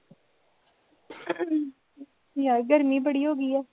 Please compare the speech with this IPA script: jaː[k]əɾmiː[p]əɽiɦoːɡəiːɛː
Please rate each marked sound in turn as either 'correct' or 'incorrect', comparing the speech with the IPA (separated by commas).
incorrect, incorrect